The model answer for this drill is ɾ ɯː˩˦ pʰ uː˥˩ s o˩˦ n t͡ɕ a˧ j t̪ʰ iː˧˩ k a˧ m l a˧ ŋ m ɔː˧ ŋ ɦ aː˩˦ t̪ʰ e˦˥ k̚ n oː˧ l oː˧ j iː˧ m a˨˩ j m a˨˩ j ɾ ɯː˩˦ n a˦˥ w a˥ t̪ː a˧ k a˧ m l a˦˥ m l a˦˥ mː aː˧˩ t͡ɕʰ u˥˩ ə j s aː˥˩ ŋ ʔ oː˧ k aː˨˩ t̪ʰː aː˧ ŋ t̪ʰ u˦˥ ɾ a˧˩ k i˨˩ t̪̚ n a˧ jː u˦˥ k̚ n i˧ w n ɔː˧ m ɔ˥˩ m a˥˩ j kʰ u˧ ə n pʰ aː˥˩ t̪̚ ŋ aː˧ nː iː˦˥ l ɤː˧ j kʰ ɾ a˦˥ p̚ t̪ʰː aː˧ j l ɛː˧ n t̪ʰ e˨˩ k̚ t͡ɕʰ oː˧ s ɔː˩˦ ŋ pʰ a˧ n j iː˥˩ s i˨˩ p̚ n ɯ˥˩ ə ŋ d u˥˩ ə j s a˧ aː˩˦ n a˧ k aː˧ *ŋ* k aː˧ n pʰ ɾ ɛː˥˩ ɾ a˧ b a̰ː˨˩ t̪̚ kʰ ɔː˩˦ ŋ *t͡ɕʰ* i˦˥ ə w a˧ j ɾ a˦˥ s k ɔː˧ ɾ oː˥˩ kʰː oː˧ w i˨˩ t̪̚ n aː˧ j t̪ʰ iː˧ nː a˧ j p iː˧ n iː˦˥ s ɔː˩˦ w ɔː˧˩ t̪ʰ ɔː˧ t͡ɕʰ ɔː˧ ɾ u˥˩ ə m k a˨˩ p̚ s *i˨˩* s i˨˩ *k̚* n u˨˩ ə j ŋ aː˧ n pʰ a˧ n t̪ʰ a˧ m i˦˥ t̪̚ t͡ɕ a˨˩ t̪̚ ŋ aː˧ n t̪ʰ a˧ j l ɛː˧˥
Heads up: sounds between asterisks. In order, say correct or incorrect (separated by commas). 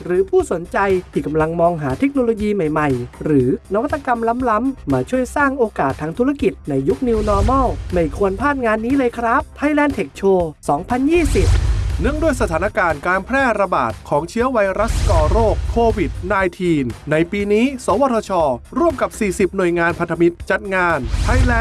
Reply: incorrect, correct, incorrect, incorrect